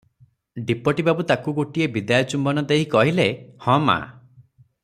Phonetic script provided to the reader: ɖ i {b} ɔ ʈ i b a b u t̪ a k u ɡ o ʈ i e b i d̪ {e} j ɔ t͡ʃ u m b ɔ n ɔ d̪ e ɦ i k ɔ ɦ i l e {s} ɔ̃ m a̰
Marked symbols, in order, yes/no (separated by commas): no, no, no